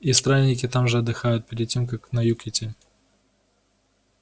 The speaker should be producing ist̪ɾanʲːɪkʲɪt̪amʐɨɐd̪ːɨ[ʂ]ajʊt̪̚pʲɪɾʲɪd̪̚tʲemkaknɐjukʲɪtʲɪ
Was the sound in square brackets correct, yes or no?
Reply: no